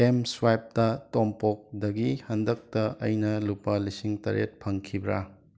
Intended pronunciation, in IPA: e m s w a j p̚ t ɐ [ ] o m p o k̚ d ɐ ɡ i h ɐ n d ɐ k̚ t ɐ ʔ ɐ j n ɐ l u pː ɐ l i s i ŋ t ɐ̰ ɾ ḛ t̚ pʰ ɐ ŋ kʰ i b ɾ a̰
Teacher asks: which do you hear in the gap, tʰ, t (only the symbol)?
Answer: t